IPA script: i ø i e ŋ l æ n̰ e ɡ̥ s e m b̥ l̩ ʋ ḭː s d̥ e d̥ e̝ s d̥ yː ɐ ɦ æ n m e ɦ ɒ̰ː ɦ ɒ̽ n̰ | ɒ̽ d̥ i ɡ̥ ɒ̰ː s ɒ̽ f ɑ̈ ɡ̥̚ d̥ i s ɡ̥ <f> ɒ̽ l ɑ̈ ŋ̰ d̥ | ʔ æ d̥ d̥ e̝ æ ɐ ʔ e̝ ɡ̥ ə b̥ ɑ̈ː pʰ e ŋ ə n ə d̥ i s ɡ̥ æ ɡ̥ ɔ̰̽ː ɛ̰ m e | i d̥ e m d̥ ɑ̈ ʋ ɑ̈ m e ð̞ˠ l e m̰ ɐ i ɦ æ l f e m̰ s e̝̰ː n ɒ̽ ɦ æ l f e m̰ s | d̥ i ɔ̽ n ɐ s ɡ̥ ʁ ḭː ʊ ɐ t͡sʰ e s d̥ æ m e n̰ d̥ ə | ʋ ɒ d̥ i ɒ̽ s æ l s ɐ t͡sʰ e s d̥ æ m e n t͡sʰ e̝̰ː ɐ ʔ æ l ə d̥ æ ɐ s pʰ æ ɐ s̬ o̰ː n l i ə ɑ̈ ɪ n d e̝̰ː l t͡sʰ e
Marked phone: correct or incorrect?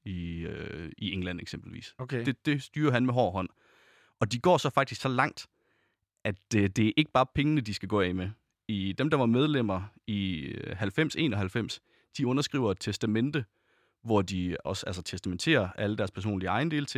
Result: incorrect